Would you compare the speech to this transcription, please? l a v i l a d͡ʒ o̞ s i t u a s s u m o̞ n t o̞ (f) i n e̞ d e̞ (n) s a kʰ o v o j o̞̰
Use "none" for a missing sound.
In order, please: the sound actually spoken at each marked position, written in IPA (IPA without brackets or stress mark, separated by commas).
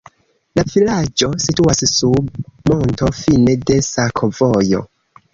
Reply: f, none